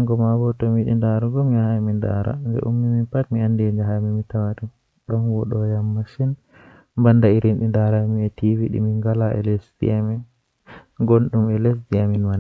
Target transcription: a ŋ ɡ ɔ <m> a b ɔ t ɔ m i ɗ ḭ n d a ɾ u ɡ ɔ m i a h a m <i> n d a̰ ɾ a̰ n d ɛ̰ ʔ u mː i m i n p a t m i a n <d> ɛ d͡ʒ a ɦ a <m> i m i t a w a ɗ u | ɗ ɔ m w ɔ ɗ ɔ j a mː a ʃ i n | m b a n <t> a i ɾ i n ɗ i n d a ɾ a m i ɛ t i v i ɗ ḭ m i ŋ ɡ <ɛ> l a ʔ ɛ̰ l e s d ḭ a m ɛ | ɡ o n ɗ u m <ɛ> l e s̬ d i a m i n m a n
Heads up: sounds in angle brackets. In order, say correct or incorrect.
correct, correct, correct, correct, incorrect, incorrect, correct

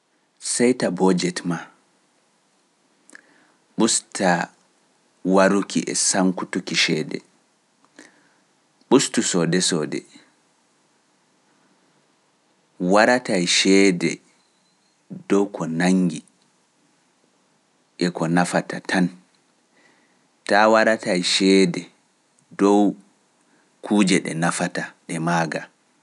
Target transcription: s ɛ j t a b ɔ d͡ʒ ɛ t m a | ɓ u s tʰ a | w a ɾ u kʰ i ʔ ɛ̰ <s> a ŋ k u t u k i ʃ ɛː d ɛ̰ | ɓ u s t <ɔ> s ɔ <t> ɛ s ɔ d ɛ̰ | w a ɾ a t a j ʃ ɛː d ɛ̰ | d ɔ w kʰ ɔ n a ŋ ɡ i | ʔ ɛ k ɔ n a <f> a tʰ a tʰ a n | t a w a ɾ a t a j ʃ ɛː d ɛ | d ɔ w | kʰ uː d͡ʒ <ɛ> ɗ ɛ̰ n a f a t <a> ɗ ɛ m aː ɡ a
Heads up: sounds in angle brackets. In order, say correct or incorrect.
correct, incorrect, incorrect, correct, correct, correct

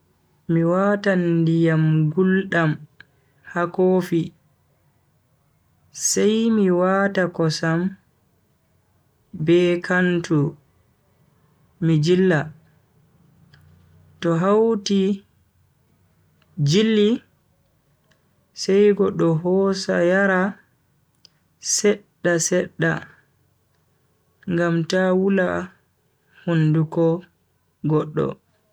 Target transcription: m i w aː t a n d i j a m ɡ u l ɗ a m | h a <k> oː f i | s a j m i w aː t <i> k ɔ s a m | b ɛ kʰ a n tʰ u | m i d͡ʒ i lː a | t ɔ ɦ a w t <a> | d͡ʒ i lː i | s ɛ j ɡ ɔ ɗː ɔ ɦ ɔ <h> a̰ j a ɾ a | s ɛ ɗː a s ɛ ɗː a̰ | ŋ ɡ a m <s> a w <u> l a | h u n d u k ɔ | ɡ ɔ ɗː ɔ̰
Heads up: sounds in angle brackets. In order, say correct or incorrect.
correct, incorrect, incorrect, incorrect, incorrect, correct

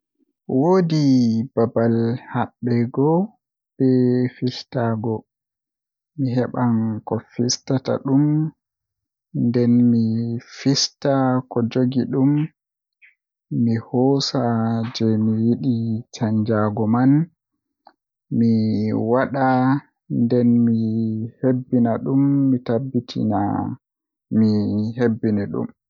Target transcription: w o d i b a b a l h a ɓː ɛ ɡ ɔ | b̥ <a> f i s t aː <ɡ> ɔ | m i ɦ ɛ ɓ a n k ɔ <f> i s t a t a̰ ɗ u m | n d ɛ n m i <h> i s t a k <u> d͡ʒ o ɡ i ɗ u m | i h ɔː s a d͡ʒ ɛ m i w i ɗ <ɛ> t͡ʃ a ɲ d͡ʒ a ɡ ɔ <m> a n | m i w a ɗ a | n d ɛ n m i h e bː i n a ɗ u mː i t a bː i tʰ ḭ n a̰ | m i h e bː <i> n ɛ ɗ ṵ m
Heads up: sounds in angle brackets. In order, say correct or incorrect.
incorrect, correct, correct, incorrect, incorrect, incorrect, correct, correct

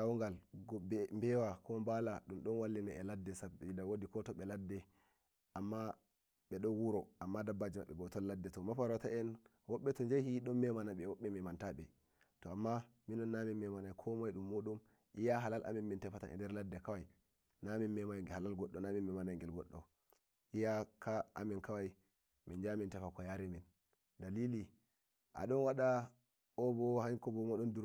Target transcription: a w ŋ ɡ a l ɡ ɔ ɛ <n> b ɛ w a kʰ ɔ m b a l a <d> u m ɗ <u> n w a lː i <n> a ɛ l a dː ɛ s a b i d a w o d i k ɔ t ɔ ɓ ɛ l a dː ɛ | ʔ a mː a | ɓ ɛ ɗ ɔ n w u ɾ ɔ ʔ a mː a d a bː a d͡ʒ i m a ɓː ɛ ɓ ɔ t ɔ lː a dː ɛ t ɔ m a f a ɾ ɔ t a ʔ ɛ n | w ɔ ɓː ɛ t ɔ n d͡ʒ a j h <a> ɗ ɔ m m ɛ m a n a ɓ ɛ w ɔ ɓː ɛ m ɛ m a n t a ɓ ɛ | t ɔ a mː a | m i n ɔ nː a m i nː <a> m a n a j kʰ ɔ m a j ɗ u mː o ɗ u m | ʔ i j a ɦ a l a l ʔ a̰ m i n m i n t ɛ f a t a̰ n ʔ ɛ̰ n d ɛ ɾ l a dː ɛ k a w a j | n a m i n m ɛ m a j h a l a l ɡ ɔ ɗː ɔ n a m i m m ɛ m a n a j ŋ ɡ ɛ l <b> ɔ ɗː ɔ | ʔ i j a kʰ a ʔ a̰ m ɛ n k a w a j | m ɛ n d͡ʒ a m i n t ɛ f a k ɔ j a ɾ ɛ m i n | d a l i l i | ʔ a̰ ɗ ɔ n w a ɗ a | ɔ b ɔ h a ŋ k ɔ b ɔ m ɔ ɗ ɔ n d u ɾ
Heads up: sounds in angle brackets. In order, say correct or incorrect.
incorrect, incorrect, incorrect, correct, incorrect, incorrect, incorrect

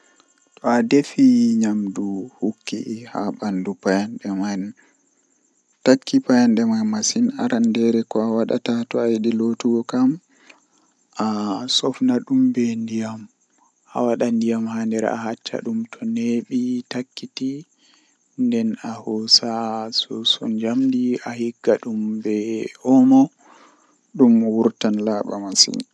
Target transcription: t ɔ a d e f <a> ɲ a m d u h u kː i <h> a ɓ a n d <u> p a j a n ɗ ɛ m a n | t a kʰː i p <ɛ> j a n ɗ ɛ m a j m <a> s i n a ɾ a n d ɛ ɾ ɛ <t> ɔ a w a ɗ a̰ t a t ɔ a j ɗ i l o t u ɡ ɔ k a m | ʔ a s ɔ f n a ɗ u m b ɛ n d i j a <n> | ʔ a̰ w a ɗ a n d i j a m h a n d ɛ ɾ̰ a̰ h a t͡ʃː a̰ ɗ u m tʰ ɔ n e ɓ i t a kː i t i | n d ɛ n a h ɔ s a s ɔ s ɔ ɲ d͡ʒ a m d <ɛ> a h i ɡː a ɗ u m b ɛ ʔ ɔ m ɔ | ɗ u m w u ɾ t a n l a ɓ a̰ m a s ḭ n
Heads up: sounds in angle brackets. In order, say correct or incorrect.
incorrect, correct, correct, incorrect, correct, incorrect, incorrect, incorrect

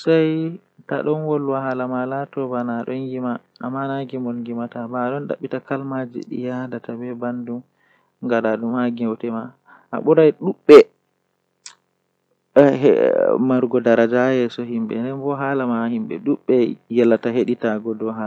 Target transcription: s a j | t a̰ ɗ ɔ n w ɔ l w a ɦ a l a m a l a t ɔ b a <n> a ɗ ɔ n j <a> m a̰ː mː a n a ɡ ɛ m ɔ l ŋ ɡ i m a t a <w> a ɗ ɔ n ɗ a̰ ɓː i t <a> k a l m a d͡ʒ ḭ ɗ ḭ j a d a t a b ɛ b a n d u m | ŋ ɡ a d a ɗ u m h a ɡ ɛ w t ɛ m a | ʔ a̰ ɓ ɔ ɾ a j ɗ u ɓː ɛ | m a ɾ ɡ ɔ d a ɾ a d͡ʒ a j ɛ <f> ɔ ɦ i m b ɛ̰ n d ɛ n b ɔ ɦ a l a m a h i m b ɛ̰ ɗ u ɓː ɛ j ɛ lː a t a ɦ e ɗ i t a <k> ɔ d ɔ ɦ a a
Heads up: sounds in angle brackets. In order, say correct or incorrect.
correct, incorrect, incorrect, correct, incorrect, incorrect

